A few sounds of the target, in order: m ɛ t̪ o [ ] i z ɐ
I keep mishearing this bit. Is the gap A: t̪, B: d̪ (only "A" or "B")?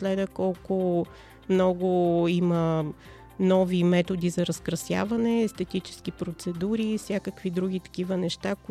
B